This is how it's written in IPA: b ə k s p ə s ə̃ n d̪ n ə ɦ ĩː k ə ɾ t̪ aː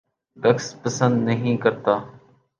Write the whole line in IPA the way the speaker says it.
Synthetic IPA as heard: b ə k s p ə s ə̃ n d̪ n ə ɦ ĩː k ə ɾ t̪ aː

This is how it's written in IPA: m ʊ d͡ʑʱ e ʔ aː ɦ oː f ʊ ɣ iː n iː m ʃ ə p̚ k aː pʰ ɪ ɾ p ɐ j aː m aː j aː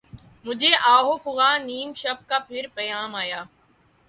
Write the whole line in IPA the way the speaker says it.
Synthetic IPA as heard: m ʊ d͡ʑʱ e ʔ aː ɦ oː f ʊ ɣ aː n iː m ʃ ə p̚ k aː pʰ ɪ ɾ p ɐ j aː m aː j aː

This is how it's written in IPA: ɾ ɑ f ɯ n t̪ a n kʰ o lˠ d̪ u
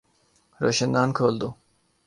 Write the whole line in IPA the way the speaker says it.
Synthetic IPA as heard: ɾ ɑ ʃ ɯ n d̪ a n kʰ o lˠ d̪ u

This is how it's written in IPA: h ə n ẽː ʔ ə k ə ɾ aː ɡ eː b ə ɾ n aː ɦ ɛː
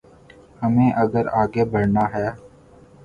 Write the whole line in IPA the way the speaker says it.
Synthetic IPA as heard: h ə m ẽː ʔ ə ɡ ə ɾ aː ɡ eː b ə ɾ n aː ɦ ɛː

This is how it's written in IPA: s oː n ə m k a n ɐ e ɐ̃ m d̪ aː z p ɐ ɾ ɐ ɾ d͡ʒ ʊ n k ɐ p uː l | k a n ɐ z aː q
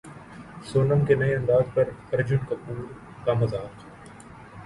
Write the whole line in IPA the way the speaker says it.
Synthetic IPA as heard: s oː n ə m k e n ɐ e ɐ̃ n d̪ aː z p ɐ ɾ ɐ ɾ d͡ʒ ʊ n k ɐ p uː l | k a m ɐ z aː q

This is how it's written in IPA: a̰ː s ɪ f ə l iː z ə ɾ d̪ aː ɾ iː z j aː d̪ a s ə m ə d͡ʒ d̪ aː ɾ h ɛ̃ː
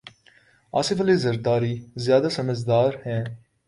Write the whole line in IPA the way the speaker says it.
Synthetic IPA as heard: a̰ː s ɪ f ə l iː z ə ɾ d̪ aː ɾ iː z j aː d̪ a s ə m ə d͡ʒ d̪ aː ɾ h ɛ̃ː

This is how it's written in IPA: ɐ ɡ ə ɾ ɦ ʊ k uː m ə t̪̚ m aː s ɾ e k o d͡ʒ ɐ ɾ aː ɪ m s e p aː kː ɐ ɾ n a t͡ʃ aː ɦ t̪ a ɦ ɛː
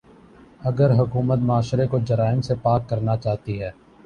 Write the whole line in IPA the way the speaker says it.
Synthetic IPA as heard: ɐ ɡ ə ɾ ɦ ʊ k uː m ə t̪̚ m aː ʃ ɾ e k o d͡ʒ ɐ ɾ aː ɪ m s e p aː kː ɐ ɾ n a t͡ʃ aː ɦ t̪ i ɦ ɛː

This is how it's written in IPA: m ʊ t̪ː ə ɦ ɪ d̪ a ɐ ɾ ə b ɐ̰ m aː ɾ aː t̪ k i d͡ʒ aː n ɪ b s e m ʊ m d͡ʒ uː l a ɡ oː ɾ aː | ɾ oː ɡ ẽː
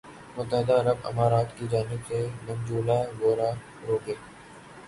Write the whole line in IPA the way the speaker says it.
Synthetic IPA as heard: m ʊ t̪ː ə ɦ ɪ d̪ a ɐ ɾ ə b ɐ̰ m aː ɾ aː t̪ k i d͡ʒ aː n ɪ b s e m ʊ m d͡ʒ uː l a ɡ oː ɾ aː | ɾ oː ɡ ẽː

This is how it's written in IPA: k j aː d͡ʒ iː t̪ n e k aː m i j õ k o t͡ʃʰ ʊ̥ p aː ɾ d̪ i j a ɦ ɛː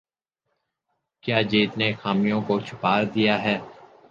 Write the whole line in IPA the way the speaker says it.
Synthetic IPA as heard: k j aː d͡ʒ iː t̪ n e x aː m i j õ k o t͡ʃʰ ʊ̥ p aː ɾ d̪ i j a ɦ ɛː

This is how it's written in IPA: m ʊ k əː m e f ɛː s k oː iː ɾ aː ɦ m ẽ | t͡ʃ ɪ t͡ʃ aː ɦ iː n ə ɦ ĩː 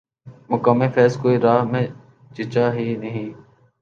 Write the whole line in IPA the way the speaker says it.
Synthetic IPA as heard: m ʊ k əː m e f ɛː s k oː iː ɾ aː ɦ m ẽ | t͡ʃ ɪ t͡ʃ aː ɦ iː n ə ɦ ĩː

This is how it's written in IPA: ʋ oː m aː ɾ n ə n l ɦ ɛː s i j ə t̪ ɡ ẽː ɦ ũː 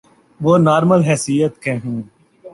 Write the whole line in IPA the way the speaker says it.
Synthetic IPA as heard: ʋ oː n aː ɾ m ə l ɦ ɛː s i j ə t̪ k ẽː ɦ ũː

